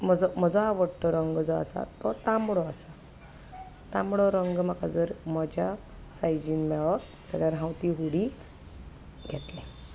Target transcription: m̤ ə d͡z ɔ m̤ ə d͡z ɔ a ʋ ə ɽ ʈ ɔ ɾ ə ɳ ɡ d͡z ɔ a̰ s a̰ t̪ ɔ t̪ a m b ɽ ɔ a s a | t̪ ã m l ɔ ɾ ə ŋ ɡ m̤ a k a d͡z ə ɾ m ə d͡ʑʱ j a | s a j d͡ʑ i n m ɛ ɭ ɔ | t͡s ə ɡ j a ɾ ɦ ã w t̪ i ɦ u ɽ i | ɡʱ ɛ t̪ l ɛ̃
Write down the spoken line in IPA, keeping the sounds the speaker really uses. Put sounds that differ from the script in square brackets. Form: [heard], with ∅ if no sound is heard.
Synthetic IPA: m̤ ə d͡z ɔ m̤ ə d͡z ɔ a ʋ ə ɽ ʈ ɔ ɾ ə [ŋ] ɡ d͡z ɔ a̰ s a̰ t̪ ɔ t̪ a m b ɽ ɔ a s a | t̪ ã m [ɽ] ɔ ɾ ə ŋ ɡ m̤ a k a d͡z ə ɾ m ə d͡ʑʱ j a | s a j d͡ʑ i n m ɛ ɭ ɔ | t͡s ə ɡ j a ɾ ɦ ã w t̪ i ɦ u ɽ i | ɡʱ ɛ t̪ l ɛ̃